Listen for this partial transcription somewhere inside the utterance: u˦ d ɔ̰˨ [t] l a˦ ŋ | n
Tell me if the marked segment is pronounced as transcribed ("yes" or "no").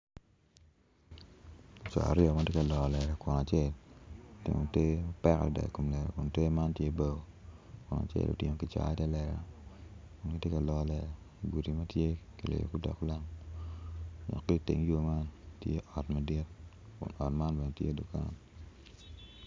no